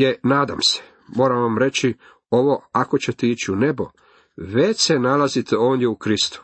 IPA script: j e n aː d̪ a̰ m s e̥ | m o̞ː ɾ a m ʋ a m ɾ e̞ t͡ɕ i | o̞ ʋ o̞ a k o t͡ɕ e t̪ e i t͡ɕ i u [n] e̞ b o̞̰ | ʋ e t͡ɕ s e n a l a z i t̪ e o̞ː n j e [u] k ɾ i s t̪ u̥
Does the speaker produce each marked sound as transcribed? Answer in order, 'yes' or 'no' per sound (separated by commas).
yes, yes